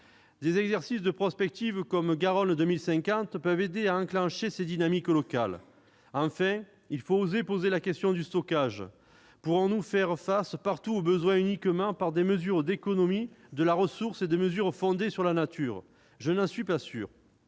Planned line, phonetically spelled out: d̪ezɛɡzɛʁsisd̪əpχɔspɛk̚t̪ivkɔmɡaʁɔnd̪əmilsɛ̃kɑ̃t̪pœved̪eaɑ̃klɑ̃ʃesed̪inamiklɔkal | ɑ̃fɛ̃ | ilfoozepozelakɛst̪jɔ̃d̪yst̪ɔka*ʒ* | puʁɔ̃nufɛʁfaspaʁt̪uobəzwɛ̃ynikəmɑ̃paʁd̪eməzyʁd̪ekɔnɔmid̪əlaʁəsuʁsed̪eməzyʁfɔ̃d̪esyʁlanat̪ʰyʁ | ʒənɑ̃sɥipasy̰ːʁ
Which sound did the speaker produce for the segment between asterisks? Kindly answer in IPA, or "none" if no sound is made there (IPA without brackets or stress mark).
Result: ʒ